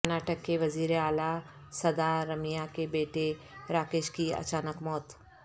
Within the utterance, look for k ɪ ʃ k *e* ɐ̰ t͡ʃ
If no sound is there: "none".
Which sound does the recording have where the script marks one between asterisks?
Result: i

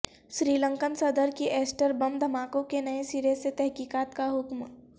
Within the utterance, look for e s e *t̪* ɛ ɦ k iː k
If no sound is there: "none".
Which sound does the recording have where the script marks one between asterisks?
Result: t̪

